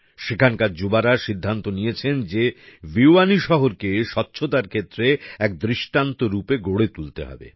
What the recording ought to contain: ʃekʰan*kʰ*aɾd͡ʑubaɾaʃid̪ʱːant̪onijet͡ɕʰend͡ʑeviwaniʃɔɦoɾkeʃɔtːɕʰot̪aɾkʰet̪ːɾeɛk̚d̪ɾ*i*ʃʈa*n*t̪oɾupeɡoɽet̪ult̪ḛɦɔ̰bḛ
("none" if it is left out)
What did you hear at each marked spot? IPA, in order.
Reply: k, i, n

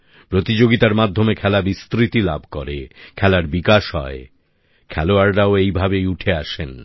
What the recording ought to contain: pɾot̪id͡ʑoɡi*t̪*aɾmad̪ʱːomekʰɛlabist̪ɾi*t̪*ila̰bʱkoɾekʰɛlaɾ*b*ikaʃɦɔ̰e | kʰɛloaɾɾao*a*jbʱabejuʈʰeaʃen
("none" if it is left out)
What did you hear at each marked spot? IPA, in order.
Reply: t̪, t̪, b, e

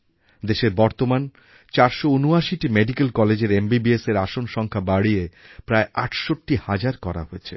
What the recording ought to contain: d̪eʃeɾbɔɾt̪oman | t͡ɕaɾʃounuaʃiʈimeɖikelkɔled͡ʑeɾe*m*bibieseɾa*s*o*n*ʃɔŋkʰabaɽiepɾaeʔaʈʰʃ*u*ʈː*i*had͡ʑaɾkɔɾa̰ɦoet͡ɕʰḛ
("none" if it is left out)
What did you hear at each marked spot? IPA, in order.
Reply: m, ʃ, n, o, i

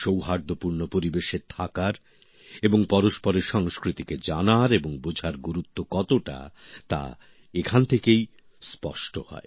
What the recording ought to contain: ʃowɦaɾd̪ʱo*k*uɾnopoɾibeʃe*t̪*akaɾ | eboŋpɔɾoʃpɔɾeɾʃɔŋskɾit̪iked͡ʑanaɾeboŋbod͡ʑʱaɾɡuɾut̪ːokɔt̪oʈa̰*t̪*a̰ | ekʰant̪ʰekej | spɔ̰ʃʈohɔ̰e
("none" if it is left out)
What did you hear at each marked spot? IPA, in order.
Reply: p, t̪ʰ, t̪

